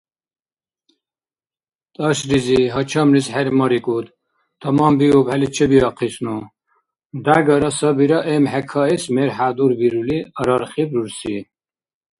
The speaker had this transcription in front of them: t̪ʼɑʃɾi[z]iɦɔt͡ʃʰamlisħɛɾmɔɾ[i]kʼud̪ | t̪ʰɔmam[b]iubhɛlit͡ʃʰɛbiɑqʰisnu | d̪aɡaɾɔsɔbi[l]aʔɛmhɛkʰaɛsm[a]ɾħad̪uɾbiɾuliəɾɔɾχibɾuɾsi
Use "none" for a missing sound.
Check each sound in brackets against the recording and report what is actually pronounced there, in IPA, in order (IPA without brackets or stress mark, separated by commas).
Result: z, i, b, ɾ, ɛ